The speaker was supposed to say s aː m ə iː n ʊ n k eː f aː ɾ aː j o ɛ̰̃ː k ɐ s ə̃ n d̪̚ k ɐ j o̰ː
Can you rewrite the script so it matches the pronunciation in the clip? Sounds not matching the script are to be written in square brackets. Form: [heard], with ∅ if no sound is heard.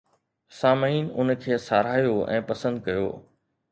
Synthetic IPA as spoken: s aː m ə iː n ʊ n [kʰ] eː [s] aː ɾ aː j o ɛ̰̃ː [p] ɐ s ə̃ n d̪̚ k ɐ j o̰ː